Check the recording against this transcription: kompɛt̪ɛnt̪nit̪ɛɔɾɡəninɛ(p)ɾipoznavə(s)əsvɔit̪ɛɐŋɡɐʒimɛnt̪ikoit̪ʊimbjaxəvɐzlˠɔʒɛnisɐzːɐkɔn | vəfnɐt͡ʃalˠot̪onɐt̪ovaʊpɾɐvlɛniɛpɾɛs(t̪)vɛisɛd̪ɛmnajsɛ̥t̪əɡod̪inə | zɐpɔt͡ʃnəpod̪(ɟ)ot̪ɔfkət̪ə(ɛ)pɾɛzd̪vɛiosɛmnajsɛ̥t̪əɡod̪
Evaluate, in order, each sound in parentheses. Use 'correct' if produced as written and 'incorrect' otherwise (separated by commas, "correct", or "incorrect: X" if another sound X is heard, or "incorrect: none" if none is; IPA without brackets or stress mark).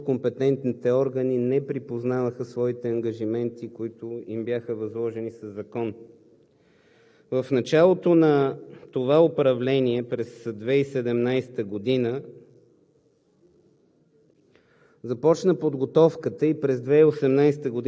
correct, incorrect: x, incorrect: d̪, incorrect: ɡ, incorrect: i